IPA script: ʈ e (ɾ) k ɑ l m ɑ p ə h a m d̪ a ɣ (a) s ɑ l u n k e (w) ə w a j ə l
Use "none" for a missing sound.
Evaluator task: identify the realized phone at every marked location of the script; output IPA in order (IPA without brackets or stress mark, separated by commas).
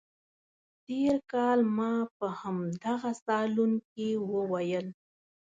ɾ, a, w